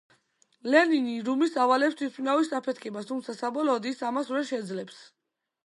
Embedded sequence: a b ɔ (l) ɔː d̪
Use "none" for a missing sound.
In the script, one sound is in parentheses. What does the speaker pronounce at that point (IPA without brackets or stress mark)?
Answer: l